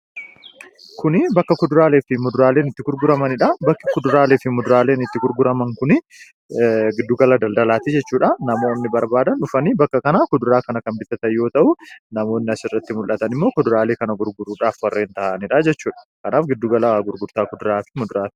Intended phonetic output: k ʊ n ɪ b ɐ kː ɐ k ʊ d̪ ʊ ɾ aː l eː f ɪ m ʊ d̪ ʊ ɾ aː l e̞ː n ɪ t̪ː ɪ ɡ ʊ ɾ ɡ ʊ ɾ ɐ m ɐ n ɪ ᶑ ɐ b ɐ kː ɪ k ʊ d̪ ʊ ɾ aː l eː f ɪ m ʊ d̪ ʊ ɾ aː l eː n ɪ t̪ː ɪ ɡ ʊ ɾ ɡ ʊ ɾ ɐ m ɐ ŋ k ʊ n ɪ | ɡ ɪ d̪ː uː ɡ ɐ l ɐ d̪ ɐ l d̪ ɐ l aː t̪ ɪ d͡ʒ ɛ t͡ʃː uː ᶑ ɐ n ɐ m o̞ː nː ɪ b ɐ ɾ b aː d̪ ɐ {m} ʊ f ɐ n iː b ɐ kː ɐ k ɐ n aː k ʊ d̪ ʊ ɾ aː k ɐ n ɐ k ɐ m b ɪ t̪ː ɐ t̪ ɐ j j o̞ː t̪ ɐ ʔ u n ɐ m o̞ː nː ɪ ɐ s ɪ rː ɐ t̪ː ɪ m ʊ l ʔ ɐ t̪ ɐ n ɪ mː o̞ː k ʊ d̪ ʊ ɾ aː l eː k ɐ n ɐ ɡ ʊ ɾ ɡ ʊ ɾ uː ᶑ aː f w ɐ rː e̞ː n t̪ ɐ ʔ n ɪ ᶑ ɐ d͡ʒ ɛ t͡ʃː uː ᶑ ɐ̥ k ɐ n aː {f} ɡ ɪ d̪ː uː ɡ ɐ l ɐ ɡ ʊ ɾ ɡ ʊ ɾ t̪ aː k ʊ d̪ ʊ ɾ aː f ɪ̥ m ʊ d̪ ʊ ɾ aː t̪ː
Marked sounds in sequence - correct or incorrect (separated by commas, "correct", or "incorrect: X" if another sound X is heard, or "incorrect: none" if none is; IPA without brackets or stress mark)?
incorrect: n, correct